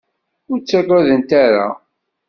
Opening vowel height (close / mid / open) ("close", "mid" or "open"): close